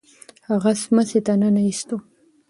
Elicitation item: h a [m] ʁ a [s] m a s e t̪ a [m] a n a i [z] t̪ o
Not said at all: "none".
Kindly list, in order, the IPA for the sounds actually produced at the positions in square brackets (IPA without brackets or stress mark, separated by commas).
none, s, n, s